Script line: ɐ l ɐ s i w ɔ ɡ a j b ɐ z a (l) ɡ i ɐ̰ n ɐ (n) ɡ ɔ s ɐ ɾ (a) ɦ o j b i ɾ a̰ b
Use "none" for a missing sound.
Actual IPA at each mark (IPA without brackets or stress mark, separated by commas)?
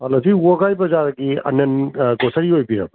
ɾ, n, i